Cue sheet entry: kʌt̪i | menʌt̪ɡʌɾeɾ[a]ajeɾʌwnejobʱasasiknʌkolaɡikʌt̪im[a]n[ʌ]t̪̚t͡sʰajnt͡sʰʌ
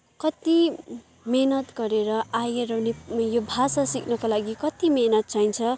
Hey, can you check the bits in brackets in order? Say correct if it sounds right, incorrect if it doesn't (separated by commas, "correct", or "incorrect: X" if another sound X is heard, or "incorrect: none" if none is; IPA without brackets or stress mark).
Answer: incorrect: ʌ, incorrect: e, correct